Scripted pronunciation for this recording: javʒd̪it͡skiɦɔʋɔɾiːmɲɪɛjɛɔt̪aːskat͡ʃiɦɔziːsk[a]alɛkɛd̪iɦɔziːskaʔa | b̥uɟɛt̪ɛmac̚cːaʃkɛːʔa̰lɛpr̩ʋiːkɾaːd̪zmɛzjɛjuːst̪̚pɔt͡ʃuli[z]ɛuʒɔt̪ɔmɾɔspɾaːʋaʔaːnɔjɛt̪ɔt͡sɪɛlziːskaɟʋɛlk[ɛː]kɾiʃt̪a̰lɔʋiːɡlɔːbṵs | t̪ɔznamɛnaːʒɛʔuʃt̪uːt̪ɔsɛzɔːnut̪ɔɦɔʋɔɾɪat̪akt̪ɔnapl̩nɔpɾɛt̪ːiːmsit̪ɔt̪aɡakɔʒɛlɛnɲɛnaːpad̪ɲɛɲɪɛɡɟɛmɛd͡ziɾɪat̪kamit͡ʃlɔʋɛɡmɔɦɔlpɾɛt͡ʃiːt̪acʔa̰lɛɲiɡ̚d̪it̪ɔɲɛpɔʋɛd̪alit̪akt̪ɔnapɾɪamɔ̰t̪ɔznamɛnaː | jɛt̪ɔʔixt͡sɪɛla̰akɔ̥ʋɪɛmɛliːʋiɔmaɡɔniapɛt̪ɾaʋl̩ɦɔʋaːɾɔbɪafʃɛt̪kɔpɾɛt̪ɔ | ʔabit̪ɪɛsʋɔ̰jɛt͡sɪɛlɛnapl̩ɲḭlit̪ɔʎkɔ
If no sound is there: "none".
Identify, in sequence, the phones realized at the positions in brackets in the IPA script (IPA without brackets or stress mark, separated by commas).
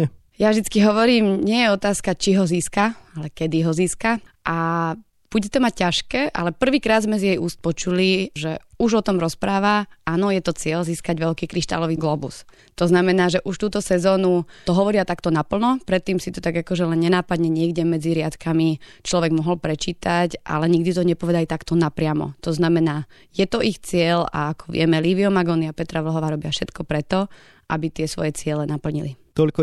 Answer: a, ʒ, iː